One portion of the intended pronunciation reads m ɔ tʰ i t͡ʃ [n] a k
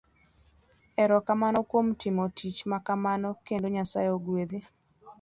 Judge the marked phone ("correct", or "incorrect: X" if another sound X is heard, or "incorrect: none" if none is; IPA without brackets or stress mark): incorrect: m